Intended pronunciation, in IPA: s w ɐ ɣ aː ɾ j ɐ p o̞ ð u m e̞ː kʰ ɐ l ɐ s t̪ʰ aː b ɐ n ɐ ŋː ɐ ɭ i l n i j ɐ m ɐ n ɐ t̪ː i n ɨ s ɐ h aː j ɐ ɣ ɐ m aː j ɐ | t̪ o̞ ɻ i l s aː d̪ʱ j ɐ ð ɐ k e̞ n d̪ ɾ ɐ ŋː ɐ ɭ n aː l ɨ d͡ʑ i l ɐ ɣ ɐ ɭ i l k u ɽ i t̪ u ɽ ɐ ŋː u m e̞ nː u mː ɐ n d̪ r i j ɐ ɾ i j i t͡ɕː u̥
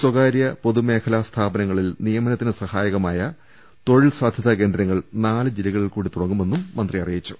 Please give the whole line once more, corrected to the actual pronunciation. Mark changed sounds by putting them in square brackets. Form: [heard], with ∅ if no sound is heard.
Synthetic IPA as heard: s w ɐ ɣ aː ɾ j ɐ p o̞ ð u m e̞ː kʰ ɐ l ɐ s t̪ʰ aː b ɐ n ɐ ŋː ɐ ɭ i l n i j ɐ m ɐ n ɐ t̪ː i n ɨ s ɐ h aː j ɐ ɣ ɐ m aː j ɐ | t̪ o̞ ɻ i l s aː d̪ʱ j ɐ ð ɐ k e̞ n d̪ ɾ ɐ ŋː ɐ ɭ n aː l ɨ d͡ʑ i l ɐ ɣ ɐ ɭ i l k [uː] ɽ i t̪ u ɽ ɐ ŋː u m e̞ nː u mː ɐ n d̪ r i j ɐ [r] i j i t͡ɕː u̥

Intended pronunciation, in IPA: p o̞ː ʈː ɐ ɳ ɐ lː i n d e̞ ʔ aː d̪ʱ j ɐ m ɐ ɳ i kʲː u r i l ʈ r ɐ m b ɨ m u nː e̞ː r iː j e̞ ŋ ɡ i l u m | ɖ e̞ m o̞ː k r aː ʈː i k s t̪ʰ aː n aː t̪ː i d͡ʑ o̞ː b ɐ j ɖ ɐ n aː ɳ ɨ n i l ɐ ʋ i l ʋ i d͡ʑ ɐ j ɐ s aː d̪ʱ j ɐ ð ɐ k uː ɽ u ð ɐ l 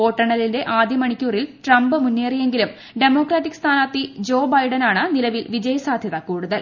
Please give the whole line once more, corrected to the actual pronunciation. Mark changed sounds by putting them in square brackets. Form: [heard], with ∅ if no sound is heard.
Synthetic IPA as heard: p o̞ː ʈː ɐ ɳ ɐ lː i n d e̞ ʔ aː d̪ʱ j ɐ m ɐ ɳ i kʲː [uː] r i l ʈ r ɐ m b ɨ m u nː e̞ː r [i] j e̞ ŋ ɡ i l u m | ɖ e̞ m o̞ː k r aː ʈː i k s t̪ʰ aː n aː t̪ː i d͡ʑ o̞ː b ɐ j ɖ ɐ n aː ɳ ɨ n i l ɐ ʋ i l ʋ i d͡ʑ ɐ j ɐ s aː d̪ʱ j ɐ ð ɐ k uː ɽ u ð ɐ l

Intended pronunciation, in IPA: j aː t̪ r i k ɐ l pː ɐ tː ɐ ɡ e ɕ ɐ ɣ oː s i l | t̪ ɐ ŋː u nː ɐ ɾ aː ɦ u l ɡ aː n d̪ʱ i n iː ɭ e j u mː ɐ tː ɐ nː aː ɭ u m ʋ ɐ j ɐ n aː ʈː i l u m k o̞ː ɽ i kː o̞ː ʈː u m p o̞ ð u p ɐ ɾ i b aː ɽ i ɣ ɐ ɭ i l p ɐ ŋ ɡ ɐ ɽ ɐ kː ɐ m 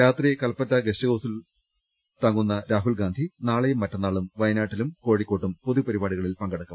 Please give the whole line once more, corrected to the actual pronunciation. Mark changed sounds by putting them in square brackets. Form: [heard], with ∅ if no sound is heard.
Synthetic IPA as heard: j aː t̪ r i k ɐ l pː ɐ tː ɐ ɡ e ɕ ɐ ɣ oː s i l | t̪ ɐ ŋː u nː ɐ ɾ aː ɦ u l ɡ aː n d̪ʱ i n [aː] ɭ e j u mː ɐ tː ɐ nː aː ɭ u m ʋ ɐ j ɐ n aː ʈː i l u m k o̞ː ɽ i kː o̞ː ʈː u m p o̞ ð u p ɐ ɾ i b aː ɽ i ɣ ɐ ɭ i l p ɐ ŋ ɡ ɐ ɽ ɐ kː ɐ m

